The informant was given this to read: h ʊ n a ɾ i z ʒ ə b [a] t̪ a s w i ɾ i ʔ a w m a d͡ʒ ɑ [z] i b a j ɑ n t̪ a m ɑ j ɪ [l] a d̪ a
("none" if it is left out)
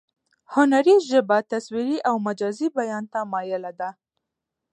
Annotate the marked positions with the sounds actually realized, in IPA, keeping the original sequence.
a, z, l

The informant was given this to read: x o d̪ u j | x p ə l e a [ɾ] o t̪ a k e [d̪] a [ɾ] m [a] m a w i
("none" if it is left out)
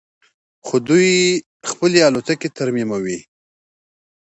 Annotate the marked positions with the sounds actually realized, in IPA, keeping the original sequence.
l, t̪, ɾ, i

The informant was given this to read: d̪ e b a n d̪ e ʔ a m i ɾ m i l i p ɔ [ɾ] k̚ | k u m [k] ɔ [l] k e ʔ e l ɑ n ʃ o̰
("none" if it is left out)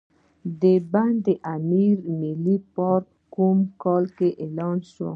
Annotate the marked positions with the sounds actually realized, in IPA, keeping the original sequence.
ɾ, k, l

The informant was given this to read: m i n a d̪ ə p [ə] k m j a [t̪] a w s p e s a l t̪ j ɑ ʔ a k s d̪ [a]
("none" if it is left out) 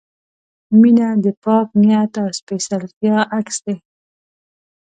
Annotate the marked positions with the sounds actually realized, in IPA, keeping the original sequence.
ɑ, t̪, e

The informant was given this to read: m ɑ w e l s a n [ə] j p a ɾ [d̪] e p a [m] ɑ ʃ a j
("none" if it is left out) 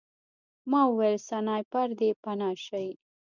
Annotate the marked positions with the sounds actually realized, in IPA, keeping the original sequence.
ɑ, d̪, n

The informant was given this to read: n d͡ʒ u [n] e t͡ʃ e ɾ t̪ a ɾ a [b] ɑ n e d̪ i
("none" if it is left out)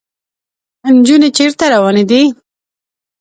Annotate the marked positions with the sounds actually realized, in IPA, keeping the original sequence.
n, w

